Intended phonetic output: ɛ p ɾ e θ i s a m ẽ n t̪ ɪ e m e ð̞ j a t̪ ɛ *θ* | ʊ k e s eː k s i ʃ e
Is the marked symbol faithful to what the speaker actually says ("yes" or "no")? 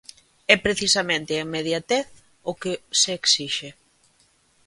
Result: yes